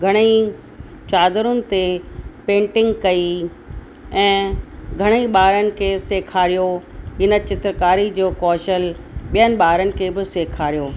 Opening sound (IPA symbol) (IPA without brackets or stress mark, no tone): ɡʱ